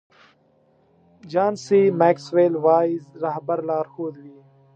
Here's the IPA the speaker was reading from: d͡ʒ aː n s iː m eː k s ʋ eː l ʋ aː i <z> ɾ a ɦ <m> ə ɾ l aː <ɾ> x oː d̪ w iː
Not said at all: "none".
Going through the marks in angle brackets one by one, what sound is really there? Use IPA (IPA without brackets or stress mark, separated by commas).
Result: z, b, ɾ